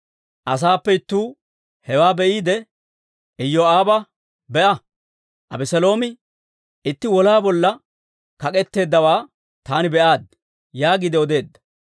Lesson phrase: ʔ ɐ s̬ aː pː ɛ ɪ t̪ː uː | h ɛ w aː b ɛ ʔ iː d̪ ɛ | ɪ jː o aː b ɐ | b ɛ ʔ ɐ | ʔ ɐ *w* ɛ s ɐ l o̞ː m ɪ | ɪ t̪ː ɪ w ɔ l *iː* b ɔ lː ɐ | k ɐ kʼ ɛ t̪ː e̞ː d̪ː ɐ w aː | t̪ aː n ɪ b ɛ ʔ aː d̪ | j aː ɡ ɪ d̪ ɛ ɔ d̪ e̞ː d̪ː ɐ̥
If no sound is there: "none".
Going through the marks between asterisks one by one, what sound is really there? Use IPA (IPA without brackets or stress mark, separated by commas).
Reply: b, aː